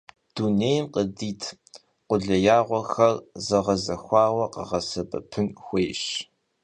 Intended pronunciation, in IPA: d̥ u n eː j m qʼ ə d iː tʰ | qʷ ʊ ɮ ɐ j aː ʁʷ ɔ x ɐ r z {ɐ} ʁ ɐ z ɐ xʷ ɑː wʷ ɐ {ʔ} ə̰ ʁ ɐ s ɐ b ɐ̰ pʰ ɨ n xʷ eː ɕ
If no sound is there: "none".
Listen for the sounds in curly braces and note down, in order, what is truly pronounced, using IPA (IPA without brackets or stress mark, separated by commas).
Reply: ɐ, q